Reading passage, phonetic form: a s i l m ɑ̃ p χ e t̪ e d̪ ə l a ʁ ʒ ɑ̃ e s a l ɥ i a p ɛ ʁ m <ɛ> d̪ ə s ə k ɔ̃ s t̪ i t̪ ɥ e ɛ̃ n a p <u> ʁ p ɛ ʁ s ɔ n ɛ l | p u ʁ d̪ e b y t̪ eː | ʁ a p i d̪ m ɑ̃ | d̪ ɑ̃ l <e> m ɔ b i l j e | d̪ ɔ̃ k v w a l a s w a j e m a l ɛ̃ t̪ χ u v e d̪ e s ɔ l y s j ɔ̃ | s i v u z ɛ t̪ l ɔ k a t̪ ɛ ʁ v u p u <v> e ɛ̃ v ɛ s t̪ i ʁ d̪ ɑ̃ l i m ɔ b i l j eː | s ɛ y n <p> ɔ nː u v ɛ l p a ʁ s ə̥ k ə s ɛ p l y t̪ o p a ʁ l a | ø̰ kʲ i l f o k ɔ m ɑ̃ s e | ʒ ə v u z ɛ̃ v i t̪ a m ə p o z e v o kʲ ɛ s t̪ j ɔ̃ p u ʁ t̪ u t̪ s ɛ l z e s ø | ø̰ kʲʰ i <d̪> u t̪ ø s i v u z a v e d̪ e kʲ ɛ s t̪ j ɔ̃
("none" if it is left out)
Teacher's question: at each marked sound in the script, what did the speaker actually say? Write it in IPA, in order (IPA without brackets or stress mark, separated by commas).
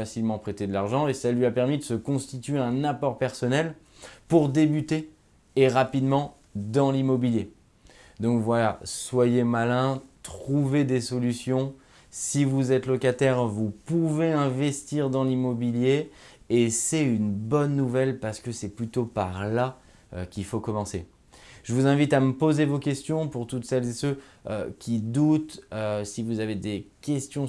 i, ɔ, i, v, b, d̪